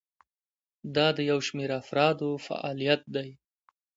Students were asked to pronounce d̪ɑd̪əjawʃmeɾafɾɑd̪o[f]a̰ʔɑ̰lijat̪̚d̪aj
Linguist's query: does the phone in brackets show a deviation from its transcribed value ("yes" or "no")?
no